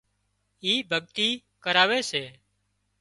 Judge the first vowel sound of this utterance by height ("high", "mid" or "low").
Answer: high